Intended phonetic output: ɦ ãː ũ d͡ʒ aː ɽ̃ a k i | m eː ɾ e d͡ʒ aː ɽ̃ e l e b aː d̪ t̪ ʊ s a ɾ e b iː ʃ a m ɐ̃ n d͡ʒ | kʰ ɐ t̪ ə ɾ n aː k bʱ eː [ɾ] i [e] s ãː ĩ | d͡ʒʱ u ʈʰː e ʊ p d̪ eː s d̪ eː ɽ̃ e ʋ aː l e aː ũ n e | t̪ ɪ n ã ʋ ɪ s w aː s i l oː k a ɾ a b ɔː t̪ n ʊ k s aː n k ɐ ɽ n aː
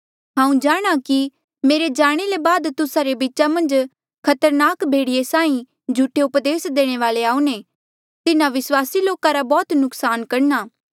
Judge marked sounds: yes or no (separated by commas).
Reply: no, yes